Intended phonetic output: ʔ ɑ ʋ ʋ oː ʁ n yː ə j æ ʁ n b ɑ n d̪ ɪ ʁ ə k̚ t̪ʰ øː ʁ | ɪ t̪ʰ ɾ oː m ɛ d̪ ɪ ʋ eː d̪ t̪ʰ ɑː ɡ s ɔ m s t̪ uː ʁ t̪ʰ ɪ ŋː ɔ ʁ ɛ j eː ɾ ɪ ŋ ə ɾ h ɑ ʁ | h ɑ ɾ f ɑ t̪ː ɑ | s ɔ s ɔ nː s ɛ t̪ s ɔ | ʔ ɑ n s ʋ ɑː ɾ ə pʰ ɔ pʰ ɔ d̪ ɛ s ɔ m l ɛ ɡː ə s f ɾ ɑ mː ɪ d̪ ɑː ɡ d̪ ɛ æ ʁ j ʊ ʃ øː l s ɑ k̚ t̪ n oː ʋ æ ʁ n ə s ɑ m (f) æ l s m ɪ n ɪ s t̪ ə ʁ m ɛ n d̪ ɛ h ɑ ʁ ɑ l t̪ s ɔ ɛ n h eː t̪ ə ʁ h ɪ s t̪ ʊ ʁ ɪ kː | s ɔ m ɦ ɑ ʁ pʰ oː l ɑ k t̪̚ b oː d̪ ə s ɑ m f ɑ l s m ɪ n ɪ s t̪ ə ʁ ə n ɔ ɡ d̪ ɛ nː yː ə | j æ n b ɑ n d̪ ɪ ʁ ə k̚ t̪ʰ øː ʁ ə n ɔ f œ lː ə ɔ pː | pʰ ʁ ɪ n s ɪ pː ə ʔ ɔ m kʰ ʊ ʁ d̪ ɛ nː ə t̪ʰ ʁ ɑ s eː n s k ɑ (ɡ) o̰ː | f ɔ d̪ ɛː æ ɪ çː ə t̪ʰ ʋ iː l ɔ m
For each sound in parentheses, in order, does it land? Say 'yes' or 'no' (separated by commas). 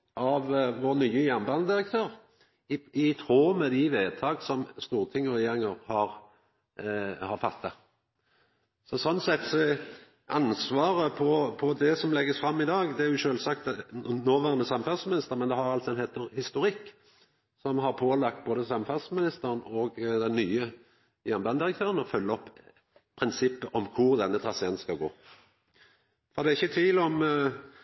yes, yes